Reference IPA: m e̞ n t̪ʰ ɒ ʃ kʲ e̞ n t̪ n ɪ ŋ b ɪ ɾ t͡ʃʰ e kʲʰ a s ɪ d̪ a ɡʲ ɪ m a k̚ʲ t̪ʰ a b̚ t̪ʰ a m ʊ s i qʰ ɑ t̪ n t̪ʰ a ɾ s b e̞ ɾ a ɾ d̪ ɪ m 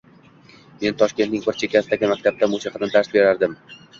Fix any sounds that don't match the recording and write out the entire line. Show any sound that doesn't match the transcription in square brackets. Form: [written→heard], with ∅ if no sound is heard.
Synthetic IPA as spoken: m e̞ n t̪ʰ ɒ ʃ kʲ e̞ n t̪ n ɪ ŋ b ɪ ɾ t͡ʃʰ e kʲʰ a s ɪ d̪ a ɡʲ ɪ m a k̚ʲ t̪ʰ a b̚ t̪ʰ a m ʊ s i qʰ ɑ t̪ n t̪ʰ a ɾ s b e̞ ɾ a ɾ d̪ ɪ m